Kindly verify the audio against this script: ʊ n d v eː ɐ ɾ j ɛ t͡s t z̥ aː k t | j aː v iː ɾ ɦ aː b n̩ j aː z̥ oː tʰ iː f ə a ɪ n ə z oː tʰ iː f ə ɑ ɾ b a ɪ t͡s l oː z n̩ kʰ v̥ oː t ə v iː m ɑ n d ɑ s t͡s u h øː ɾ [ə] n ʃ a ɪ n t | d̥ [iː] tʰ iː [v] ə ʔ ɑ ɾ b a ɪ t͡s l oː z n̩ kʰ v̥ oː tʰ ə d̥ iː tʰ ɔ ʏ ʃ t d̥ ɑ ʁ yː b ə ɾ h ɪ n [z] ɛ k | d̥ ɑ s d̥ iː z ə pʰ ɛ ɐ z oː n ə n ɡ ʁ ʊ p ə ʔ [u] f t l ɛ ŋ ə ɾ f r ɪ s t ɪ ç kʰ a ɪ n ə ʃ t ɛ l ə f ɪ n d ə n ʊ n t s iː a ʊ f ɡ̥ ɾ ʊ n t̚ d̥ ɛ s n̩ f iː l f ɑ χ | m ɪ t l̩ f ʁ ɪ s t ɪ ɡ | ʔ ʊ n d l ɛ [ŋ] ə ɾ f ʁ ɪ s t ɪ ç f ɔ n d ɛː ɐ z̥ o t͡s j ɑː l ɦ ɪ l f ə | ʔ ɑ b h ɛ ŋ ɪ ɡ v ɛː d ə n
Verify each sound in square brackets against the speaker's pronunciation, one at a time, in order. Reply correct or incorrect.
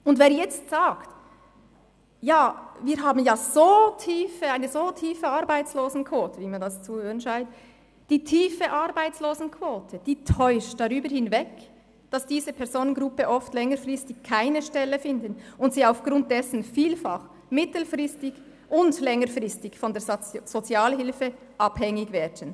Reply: correct, correct, incorrect, incorrect, incorrect, correct

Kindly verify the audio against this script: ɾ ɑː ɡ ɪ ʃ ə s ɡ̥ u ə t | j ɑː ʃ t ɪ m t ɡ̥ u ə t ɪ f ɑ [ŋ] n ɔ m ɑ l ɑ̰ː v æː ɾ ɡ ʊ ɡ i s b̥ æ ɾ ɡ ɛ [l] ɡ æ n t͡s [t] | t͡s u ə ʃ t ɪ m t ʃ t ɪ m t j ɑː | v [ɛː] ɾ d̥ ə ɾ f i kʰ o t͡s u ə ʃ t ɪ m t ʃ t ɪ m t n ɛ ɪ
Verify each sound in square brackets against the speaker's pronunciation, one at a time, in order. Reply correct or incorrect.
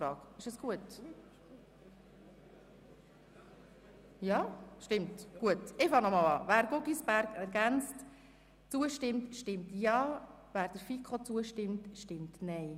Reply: correct, incorrect, correct, incorrect

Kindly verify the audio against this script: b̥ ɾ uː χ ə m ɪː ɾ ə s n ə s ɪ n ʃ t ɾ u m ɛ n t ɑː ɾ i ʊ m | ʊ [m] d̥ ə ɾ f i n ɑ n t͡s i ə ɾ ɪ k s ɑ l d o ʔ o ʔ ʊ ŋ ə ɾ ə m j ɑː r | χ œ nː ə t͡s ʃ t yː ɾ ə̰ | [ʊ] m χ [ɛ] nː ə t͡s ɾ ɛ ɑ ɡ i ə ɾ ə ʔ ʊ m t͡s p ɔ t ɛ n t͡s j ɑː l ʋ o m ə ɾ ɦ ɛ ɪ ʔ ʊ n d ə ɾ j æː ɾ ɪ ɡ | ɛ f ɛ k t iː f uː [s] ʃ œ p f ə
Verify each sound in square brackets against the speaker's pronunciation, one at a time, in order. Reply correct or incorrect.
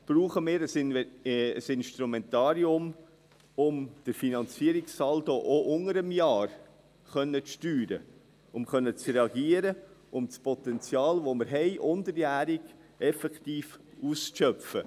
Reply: correct, correct, incorrect, correct

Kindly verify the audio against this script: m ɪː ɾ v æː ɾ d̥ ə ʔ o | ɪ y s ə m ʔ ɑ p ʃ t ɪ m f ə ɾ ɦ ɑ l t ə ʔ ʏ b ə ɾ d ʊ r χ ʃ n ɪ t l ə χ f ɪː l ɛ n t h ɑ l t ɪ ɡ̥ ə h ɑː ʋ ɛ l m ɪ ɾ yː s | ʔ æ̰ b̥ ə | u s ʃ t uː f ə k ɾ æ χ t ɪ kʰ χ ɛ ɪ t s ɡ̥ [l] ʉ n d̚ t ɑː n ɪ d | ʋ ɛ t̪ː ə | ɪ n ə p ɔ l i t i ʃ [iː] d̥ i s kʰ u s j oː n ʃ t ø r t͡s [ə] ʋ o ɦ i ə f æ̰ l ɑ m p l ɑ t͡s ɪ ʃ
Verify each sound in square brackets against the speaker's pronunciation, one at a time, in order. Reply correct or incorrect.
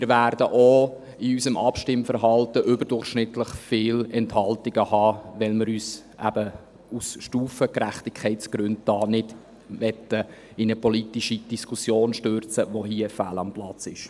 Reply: incorrect, incorrect, correct

